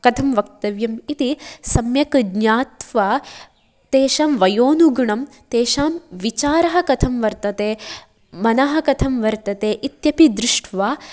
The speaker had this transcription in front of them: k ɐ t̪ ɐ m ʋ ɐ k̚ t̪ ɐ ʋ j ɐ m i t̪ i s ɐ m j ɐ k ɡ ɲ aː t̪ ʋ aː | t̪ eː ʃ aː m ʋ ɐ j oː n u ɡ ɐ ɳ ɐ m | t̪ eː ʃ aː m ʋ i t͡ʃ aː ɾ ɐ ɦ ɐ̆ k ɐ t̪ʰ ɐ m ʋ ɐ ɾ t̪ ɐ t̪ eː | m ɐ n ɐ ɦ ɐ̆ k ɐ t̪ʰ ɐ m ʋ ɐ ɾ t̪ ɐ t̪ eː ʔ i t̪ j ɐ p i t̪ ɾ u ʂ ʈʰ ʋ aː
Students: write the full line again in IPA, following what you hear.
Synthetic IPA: k ɐ t̪ʰ ɐ m ʋ ɐ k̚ t̪ ɐ ʋ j ɐ m i t̪ i s ɐ m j ɐ k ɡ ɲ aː t̪ ʋ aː | t̪ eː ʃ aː m ʋ ɐ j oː n u ɡ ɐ ɳ ɐ m | t̪ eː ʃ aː m ʋ i t͡ʃ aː ɾ ɐ ɦ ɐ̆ k ɐ t̪ʰ ɐ m ʋ ɐ ɾ t̪ ɐ t̪ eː | m ɐ n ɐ ɦ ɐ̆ k ɐ t̪ʰ ɐ m ʋ ɐ ɾ t̪ ɐ t̪ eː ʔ i t̪ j ɐ p i d̪ ɾ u ʂ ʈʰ ʋ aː

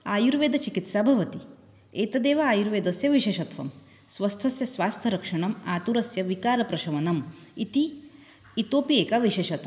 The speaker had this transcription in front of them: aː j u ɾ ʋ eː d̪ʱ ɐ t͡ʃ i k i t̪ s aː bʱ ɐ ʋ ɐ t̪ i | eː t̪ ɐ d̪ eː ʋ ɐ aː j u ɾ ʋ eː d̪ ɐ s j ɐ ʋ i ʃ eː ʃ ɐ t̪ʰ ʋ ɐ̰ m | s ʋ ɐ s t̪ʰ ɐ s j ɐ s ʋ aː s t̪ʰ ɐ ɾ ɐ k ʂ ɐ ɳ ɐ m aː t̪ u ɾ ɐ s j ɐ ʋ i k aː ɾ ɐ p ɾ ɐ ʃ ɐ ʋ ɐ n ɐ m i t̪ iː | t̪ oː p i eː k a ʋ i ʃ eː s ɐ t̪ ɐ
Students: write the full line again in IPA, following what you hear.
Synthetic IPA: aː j u ɾ ʋ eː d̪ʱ ɐ t͡ʃ i k i t̪ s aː bʱ ɐ ʋ ɐ t̪ i | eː t̪ ɐ d̪ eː ʋ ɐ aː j u ɾ ʋ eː d̪ ɐ s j ɐ ʋ i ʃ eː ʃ ɐ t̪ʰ ʋ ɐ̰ m | s ʋ ɐ s t̪ʰ ɐ s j ɐ s ʋ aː s t̪ʰ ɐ ɾ ɐ k ʂ ɐ ɳ ɐ m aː t̪ u ɾ ɐ s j ɐ ʋ i k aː ɾ ɐ p ɾ ɐ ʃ ɐ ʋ ɐ n ɐ m i t̪ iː | t̪ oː p i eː k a ʋ i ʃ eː ʃ ɐ t̪ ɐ

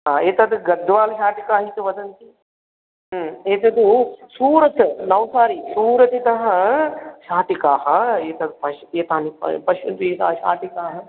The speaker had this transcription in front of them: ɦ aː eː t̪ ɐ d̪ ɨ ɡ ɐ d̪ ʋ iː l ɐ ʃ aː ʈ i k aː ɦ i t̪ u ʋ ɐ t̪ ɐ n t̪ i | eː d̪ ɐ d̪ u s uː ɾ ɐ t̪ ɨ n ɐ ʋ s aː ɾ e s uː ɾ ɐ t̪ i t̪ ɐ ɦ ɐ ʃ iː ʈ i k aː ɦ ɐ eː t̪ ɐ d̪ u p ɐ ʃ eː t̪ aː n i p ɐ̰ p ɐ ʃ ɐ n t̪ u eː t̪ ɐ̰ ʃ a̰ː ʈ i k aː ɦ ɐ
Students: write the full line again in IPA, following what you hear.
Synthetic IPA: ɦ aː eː t̪ ɐ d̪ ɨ ɡ ɐ d̪ ʋ aː l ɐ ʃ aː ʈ i k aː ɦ i t̪ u ʋ ɐ d̪ ɐ n t̪ i | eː t̪ ɐ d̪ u s uː ɾ ɐ t̪ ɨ n ɐ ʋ s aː ɾ i s uː ɾ ɐ t̪ i t̪ ɐ ɦ ɐ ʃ aː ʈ i k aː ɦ ɐ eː t̪ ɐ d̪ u p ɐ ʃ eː t̪ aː n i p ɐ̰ p ɐ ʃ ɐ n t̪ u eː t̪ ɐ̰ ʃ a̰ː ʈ i k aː ɦ ɐ

